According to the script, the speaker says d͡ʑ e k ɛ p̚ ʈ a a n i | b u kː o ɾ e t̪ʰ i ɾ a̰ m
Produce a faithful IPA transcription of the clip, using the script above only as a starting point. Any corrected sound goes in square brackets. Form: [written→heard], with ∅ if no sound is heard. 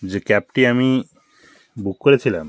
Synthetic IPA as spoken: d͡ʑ e k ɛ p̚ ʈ [a→i] a [n→m] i | b u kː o ɾ e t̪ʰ i [ɾ→l] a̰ m